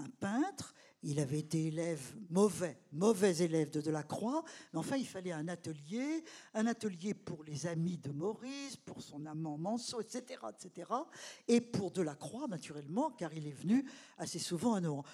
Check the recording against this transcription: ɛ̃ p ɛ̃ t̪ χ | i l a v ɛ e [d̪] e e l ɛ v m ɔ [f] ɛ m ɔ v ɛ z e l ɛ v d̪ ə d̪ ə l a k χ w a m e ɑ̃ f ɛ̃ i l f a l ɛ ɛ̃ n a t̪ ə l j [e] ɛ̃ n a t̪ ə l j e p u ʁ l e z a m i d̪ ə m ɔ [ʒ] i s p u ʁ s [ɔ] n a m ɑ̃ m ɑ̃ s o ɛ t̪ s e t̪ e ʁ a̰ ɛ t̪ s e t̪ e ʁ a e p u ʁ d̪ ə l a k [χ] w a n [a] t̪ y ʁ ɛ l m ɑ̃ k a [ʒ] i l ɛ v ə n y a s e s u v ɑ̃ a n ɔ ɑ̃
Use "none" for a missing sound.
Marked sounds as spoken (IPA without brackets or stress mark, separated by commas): t̪, v, e, ʁ, ɔ̃, χ, a, ʁ